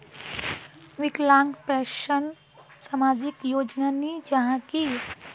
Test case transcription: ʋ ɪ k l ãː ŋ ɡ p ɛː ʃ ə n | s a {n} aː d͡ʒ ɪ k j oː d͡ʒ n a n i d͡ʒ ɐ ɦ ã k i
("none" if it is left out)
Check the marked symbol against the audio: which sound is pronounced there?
m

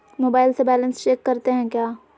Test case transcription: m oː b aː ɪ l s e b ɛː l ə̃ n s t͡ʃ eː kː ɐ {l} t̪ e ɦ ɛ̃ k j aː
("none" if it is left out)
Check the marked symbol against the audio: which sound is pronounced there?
ɾ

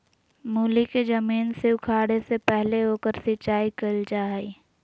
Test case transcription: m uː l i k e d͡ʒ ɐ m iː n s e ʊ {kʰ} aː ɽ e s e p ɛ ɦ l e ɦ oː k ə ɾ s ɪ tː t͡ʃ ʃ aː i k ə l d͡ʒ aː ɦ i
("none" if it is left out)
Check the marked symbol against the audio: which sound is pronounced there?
kʰ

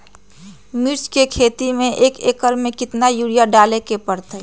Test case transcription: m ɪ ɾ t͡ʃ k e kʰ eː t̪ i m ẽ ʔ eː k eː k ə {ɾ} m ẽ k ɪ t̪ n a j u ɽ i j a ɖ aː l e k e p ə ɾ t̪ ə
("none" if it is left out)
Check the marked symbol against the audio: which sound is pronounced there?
ɾ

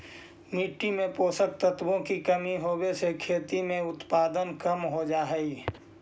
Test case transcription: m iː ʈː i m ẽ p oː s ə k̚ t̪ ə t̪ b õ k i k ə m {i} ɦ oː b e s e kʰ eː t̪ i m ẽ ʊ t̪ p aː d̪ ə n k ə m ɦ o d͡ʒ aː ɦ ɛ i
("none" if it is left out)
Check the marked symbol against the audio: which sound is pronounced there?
i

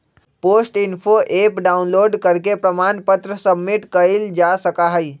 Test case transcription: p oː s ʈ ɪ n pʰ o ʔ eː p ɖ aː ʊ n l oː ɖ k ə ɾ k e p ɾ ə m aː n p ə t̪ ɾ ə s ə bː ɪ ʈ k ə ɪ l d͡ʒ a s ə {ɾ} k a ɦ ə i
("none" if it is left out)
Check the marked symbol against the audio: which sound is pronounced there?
none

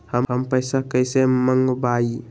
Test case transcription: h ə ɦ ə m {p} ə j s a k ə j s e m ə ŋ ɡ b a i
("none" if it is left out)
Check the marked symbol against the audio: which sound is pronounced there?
p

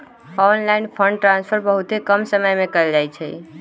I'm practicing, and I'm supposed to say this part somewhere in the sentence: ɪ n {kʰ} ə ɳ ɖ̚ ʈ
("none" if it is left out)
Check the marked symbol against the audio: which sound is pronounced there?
pʰ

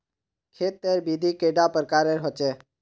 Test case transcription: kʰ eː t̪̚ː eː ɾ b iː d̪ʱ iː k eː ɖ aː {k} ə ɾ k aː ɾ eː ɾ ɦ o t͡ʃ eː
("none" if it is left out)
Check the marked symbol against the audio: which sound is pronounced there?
p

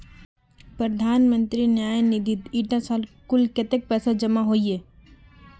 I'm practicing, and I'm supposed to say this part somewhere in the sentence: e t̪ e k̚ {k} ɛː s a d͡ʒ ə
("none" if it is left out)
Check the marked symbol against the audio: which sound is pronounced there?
p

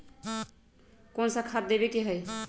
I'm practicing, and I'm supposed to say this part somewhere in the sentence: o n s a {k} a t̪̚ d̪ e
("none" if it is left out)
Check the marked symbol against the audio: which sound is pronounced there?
kʰ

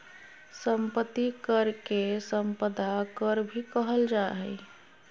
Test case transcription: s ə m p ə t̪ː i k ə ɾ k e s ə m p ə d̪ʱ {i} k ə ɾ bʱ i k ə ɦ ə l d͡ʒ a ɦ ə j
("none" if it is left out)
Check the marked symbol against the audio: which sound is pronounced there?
a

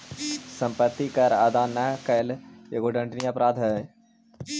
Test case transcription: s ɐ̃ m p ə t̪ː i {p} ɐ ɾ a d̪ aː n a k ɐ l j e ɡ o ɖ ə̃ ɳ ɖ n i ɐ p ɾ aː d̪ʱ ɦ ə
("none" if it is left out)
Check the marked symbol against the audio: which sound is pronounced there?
k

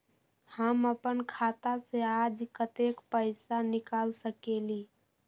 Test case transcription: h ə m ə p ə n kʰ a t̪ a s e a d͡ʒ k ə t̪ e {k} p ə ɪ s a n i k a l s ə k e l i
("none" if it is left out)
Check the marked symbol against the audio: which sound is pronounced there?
k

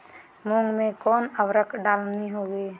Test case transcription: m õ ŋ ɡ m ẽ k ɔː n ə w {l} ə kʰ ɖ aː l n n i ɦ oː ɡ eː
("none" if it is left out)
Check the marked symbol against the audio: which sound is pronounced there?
ɾ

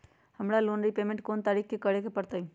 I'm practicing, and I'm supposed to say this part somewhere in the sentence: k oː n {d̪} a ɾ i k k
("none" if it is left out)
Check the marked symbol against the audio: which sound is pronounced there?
t̪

